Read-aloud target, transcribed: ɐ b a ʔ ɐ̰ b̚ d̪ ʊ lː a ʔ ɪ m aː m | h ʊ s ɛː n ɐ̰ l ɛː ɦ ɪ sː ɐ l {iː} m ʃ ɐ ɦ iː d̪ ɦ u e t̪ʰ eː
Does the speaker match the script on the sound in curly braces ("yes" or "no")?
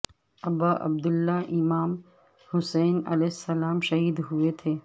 no